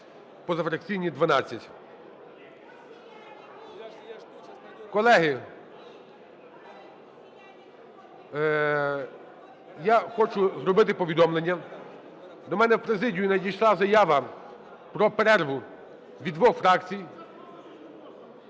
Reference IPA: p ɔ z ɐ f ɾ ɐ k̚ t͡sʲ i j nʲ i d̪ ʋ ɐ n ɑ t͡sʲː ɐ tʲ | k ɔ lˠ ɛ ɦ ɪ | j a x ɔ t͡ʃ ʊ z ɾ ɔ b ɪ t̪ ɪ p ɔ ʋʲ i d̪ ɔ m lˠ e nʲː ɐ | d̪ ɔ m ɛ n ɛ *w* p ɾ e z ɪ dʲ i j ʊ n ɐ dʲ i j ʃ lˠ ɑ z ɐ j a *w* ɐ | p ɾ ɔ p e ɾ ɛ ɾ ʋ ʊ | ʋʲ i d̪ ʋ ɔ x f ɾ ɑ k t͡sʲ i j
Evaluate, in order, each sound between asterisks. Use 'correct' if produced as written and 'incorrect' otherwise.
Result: correct, incorrect

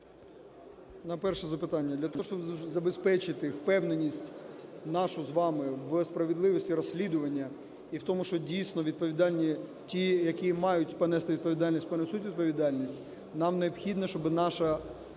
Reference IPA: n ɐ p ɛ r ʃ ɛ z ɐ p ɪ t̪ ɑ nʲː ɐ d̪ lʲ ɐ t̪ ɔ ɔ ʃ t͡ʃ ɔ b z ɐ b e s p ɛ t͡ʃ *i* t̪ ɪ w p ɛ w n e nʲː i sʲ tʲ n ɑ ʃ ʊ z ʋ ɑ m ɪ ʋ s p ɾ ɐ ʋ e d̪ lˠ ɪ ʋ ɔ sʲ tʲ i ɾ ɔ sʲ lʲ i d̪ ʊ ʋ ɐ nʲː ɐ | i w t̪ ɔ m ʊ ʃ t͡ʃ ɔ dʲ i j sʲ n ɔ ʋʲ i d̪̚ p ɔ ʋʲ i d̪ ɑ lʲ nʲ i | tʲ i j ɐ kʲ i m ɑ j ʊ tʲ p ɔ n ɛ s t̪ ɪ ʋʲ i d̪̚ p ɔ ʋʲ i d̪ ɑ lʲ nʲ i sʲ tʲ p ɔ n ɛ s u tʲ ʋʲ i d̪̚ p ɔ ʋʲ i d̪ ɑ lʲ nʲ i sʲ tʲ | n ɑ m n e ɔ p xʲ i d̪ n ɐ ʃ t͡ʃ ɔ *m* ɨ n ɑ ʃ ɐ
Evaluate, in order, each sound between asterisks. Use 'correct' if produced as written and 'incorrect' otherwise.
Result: incorrect, incorrect

